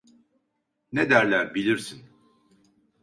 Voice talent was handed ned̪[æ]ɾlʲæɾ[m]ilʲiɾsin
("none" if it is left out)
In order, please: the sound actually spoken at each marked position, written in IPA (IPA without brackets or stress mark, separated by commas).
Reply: æ, b